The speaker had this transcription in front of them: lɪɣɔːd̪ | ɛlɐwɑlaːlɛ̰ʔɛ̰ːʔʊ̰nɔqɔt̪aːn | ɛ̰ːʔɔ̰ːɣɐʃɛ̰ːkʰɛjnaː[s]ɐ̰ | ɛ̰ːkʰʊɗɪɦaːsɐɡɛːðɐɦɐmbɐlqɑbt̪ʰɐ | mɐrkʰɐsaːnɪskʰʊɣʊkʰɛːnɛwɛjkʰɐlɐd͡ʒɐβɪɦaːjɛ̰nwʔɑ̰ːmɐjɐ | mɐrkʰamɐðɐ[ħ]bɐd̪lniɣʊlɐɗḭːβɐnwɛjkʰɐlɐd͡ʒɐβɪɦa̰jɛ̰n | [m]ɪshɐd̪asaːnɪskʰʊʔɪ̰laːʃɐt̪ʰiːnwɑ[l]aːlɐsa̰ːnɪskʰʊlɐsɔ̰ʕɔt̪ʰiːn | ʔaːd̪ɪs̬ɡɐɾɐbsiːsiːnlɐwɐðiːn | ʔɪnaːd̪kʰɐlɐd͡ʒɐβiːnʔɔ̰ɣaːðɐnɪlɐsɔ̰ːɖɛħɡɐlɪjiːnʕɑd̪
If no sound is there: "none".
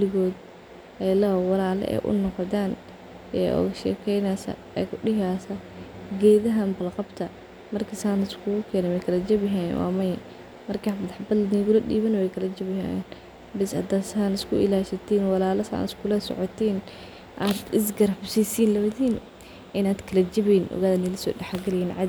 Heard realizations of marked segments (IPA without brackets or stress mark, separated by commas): s, ħ, b, l